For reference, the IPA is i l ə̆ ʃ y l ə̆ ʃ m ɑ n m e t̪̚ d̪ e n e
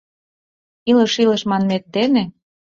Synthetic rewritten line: i l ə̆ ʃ i l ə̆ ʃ m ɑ n m e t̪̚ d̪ e n e